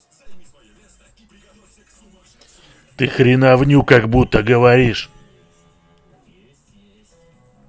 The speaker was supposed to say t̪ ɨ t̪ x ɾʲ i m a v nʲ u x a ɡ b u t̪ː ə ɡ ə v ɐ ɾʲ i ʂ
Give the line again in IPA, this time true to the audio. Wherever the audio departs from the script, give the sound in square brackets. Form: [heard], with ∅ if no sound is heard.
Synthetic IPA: t̪ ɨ [∅] x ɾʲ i [n] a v nʲ u [k] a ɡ b u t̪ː ə ɡ ə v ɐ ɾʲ i ʂ

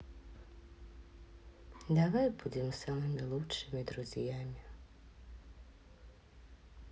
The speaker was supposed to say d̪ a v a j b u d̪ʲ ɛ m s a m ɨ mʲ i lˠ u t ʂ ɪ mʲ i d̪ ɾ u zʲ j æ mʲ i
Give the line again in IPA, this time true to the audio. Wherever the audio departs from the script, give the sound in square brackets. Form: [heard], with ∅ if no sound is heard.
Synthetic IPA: d̪ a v a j b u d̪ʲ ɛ m s a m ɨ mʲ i lˠ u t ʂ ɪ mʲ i d̪ ɾ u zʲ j [a] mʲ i

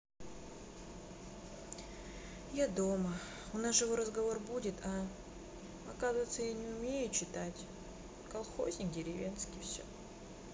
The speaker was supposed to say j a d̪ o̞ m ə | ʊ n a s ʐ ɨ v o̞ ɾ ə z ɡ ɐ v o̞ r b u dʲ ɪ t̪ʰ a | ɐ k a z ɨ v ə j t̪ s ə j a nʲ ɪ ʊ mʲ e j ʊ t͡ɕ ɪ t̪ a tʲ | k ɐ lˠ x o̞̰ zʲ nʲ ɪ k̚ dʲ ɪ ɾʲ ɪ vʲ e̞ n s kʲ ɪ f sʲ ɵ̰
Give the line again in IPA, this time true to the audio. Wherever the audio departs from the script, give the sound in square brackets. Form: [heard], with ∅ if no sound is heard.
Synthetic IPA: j a d̪ o̞ m ə | ʊ n a s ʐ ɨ v o̞ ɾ ə z ɡ ɐ v o̞ r b u dʲ ɪ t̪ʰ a | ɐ k a z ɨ v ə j t̪ s ə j a nʲ ɪ ʊ mʲ e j ʊ t͡ɕ ɪ t̪ a tʲ | k ɐ lˠ x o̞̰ zʲ nʲ ɪ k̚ dʲ ɪ ɾʲ ɪ vʲ e̞ n s kʲ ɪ f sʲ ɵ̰

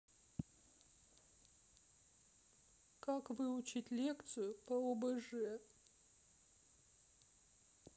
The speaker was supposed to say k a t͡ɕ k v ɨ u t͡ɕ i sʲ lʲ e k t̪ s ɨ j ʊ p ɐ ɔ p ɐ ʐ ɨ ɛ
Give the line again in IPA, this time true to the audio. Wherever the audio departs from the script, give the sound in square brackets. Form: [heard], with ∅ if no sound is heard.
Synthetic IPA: k a [∅] k v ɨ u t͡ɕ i [tʲ] lʲ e k t̪ s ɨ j ʊ p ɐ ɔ [b] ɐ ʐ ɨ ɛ

